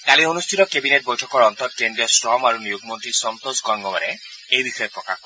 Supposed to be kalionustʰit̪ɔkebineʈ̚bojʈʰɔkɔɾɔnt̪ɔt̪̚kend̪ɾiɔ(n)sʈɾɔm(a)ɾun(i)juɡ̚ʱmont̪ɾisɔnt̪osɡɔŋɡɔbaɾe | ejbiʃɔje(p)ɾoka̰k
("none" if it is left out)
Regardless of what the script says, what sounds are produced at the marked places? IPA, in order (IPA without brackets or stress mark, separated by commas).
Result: none, a, i, p